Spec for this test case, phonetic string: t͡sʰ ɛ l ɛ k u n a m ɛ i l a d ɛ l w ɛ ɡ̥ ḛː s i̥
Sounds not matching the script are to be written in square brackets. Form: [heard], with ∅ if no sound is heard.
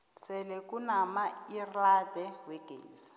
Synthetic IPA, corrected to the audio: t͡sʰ ɛ l ɛ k u n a m [a] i [r] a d ɛ [∅] w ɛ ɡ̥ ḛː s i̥